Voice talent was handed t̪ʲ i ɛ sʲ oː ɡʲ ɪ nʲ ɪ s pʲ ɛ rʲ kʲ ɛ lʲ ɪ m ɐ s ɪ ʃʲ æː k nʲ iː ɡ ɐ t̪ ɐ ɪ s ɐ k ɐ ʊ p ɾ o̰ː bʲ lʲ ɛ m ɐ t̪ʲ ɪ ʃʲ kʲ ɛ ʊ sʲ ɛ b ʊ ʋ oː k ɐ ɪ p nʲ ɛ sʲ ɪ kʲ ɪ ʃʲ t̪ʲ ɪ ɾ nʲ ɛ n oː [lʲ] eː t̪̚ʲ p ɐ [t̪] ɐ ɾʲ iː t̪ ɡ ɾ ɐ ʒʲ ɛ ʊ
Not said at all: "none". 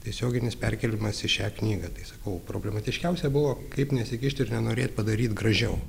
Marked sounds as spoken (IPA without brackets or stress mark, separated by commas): ɾʲ, d̪